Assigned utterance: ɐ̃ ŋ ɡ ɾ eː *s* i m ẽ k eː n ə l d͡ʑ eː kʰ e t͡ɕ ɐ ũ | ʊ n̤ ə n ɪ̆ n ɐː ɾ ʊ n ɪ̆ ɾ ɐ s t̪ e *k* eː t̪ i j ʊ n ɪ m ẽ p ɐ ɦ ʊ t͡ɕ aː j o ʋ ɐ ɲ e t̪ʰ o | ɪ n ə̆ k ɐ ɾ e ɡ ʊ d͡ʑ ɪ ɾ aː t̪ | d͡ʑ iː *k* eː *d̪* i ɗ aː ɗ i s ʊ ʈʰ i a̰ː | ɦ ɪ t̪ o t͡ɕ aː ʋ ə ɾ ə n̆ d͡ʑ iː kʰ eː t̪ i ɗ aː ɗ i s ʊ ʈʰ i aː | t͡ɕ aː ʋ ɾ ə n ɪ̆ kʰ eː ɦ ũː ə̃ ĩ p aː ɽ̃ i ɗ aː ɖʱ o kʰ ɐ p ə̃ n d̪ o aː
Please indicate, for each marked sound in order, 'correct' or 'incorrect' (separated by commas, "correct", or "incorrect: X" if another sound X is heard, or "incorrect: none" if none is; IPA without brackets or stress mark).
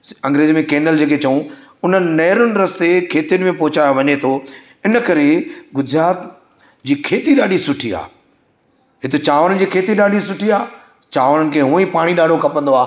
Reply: incorrect: z, incorrect: kʰ, incorrect: kʰ, incorrect: t̪